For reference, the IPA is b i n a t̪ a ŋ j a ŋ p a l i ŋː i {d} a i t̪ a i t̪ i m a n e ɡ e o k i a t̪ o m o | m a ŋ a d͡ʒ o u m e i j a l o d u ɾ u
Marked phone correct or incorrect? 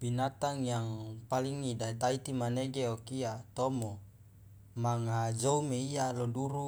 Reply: correct